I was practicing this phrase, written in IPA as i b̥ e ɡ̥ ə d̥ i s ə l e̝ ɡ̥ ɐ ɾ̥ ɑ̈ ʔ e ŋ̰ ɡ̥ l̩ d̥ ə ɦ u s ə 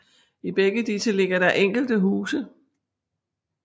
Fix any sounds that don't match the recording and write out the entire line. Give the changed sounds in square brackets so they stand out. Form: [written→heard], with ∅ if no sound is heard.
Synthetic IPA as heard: i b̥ e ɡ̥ ə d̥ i s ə l e̝ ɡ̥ ɐ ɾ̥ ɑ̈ ʔ e ŋ̰ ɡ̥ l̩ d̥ ə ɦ [u→uː] s ə

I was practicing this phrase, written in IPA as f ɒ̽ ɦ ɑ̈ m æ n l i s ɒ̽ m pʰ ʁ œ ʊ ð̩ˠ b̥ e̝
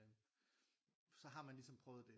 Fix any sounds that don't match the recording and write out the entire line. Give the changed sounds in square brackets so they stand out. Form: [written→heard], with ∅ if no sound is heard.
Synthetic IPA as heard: [f→s] ɒ̽ ɦ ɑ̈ m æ n l i s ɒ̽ m pʰ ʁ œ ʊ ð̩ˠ [b̥→d̥] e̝

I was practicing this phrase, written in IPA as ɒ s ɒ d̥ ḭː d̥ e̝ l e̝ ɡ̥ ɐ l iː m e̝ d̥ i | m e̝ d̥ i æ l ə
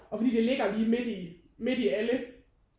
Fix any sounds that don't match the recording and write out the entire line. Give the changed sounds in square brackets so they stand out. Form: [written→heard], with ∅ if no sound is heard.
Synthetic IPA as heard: ɒ [s→f] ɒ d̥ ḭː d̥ e̝ l e̝ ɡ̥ ɐ l iː m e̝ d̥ i | m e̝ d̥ i æ l ə

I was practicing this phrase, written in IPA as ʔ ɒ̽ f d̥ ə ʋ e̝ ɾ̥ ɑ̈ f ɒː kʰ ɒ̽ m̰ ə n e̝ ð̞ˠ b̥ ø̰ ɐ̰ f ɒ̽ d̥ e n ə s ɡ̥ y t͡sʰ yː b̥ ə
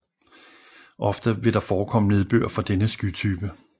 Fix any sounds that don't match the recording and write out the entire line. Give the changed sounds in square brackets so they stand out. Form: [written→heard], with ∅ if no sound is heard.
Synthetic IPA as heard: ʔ ɒ̽ f d̥ ə ʋ e̝ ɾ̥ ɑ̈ f ɒː kʰ ɒ̽ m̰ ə n e̝ ð̞ˠ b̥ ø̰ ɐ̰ f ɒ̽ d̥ e n ə s ɡ̥ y t͡sʰ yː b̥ ə

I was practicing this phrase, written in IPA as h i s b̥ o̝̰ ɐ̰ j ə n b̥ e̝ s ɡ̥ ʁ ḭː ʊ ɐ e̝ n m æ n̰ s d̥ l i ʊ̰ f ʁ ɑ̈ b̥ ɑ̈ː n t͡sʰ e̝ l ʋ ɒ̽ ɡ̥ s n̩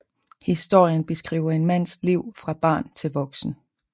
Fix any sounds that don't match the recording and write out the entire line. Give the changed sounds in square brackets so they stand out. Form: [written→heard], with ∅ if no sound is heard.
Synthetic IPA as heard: h i s [b̥→d̥] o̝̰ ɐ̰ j ə n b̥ e̝ s ɡ̥ ʁ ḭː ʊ ɐ e̝ n m æ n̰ s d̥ l i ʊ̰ f ʁ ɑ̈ b̥ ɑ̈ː n t͡sʰ e̝ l ʋ ɒ̽ ɡ̥ s n̩

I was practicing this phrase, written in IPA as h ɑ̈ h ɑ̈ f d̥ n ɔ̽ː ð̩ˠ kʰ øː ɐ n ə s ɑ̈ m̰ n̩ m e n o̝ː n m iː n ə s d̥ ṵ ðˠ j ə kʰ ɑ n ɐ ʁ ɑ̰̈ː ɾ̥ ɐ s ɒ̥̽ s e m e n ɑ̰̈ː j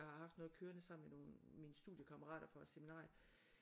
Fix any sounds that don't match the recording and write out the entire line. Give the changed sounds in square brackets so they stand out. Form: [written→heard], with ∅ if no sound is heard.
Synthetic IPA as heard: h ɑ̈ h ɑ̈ f d̥ n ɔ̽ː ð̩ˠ kʰ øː ɐ n ə s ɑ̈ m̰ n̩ m e n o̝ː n m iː n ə s d̥ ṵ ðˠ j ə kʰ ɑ [n→m] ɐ ʁ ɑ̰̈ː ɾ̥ ɐ [s→f] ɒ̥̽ s e m [e→i] n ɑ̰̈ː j

